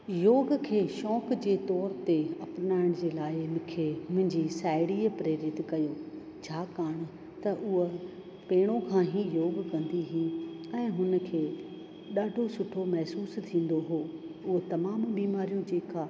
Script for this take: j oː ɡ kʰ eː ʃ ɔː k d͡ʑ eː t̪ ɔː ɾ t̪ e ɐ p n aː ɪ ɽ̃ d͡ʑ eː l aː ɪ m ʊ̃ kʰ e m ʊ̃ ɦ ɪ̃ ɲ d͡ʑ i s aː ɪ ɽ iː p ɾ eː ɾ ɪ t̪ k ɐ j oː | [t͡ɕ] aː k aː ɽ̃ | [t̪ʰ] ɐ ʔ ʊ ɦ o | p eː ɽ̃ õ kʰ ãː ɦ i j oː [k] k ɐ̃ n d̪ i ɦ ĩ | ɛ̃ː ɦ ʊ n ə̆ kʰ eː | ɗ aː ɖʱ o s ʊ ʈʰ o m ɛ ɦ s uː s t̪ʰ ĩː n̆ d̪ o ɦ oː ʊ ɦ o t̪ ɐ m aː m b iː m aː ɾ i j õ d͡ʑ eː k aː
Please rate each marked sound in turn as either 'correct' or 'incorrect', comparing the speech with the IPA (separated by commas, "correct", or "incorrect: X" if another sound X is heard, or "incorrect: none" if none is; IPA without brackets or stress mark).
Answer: incorrect: t͡ɕʰ, incorrect: t̪, incorrect: ɡ